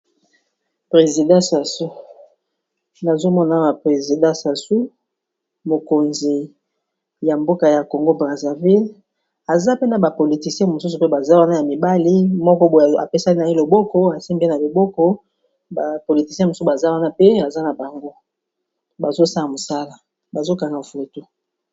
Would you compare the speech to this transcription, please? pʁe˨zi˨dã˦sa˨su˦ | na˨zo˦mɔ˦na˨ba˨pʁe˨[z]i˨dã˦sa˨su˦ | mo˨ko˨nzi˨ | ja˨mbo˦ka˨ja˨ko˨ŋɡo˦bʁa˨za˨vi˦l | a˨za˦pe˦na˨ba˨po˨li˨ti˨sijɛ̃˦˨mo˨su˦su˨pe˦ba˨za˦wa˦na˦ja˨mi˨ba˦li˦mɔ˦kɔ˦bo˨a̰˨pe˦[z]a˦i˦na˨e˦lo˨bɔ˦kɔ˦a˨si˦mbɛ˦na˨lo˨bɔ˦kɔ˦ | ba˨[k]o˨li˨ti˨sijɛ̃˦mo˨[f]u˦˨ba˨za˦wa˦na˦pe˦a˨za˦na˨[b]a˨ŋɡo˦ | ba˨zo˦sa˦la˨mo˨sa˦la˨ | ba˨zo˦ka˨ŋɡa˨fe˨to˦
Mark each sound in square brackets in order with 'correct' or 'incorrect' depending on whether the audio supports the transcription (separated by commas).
correct, incorrect, incorrect, incorrect, correct